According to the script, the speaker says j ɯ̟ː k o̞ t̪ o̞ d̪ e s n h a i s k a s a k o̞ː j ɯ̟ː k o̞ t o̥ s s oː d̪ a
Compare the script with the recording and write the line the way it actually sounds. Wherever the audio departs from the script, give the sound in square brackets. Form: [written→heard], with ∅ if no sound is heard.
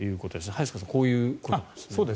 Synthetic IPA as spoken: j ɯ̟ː k o̞ t̪ o̞ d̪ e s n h a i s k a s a k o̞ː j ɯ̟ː k o̞ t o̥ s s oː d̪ [a→e]

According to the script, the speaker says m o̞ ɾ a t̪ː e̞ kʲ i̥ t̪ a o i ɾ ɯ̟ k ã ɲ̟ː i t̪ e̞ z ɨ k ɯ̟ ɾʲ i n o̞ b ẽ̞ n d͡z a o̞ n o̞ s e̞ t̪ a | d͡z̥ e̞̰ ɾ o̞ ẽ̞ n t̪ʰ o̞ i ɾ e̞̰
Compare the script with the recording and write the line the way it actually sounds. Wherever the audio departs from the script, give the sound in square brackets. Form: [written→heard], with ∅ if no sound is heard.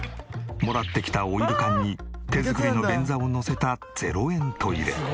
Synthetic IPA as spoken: m o̞ ɾ a t̪ː e̞ kʲ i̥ t̪ a o i ɾ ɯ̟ k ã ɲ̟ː i t̪ e̞ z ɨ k ɯ̟ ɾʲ i n o̞ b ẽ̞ n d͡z a o̞ n o̞ s e̞ t̪ a | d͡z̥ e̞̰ ɾ o̞ ẽ̞ n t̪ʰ o̞ i ɾ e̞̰

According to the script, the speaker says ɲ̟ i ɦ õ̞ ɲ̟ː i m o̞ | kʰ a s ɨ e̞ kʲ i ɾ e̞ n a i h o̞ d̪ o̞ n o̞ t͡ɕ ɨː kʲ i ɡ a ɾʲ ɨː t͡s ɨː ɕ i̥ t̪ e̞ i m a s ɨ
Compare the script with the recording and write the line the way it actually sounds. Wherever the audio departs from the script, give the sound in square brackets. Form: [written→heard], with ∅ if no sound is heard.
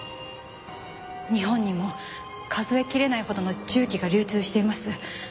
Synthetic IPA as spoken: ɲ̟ i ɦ õ̞ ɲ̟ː i m o̞ | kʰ a [s→z] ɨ e̞ kʲ i ɾ e̞ n a i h o̞ d̪ o̞ n o̞ t͡ɕ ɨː kʲ i ɡ a ɾʲ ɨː t͡s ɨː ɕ i̥ t̪ e̞ i m a s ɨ

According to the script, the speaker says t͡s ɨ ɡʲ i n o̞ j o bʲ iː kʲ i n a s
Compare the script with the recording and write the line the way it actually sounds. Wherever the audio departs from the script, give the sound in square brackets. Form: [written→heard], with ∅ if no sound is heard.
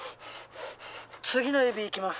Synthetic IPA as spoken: t͡s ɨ ɡʲ i n o̞ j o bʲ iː kʲ i [n→m] a s

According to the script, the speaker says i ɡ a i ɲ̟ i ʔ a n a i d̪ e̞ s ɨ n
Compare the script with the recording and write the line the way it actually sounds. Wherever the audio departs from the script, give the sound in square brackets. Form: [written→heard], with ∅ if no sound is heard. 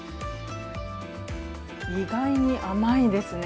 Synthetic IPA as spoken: i ɡ a i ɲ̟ i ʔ a [n→m] a i d̪ e̞ s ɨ n

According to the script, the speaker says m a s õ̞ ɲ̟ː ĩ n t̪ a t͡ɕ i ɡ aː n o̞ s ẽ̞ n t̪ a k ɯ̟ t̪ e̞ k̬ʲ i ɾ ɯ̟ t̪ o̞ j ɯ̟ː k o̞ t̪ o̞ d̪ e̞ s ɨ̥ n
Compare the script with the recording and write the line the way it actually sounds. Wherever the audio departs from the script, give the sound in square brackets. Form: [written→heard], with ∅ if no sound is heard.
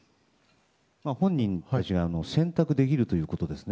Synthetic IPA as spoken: m a [s→h] õ̞ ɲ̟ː ĩ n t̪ a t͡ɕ i ɡ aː n o̞ s ẽ̞ n t̪ a k ɯ̟ [t̪→d̪] e̞ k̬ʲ i ɾ ɯ̟ t̪ o̞ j ɯ̟ː k o̞ t̪ o̞ d̪ e̞ s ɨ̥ n

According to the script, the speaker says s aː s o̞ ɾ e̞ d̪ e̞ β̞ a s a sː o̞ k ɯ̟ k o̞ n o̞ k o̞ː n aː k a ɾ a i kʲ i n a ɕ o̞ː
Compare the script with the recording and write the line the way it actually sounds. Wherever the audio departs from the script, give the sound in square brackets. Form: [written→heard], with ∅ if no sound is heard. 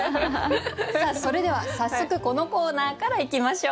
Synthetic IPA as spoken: s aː s o̞ ɾ e̞ d̪ e̞ β̞ a s a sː o̞ k ɯ̟ k o̞ n o̞ k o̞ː n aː k a ɾ a i kʲ i [n→m] a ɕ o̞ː

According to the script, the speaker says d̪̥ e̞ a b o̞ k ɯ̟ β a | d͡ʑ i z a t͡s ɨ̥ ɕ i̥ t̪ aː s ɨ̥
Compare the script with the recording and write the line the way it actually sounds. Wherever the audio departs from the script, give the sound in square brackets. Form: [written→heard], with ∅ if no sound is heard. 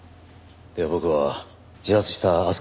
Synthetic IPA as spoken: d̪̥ e̞ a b o̞ k ɯ̟ β a | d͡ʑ i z a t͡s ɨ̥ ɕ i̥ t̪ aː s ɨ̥

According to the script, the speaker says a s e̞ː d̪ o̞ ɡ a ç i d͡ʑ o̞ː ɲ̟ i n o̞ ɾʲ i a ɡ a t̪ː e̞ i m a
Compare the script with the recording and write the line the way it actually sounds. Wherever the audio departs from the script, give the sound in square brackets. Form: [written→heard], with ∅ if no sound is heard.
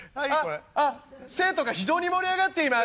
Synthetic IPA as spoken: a s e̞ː [d̪→t̪] o̞ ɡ a ç i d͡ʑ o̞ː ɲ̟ i [n→m] o̞ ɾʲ i a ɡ a t̪ː e̞ i m a

